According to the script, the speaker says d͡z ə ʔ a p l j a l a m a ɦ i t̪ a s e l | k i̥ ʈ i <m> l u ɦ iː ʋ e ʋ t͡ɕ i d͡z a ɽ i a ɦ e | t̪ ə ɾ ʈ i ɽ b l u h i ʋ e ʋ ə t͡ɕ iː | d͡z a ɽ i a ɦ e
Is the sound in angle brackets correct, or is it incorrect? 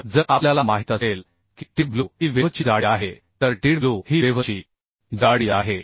incorrect